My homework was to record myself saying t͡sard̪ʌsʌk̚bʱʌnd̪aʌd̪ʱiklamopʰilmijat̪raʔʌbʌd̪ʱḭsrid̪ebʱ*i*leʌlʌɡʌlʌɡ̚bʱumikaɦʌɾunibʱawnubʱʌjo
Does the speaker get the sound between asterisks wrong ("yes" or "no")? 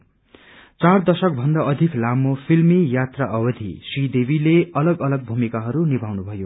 no